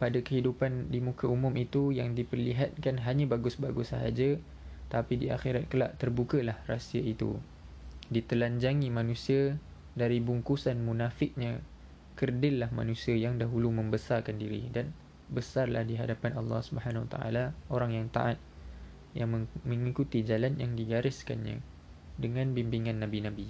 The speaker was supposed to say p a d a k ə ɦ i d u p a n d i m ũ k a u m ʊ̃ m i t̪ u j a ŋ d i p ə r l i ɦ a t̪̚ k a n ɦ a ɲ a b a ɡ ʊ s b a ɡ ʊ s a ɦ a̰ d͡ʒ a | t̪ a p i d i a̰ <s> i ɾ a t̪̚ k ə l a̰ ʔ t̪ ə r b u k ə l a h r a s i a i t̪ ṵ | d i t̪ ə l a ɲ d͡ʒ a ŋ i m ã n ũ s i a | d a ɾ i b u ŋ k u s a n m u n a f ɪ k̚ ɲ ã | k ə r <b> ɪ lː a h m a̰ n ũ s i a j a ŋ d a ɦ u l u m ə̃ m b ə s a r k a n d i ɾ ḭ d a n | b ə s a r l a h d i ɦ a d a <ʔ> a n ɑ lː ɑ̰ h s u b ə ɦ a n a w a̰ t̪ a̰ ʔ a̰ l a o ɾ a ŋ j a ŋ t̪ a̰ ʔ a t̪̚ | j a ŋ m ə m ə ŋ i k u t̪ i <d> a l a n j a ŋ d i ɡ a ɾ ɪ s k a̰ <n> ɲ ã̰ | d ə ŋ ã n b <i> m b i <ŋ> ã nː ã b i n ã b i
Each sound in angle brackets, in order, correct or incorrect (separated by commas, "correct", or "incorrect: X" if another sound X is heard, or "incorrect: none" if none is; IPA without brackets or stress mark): incorrect: x, incorrect: d, incorrect: p, incorrect: d͡ʒ, correct, correct, correct